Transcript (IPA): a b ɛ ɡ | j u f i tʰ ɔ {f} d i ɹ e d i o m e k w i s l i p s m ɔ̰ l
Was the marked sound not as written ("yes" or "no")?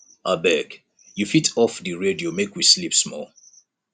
no